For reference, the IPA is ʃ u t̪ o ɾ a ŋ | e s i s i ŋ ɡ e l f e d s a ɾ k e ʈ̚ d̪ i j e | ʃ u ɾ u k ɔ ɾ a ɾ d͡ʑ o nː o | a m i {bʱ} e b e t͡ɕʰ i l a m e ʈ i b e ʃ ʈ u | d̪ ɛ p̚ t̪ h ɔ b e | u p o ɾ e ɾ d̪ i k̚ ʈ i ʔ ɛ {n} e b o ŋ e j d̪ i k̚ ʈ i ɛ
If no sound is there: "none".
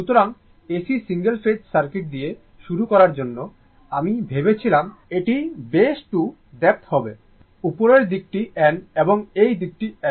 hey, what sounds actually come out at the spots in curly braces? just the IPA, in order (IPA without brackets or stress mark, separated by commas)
bʱ, n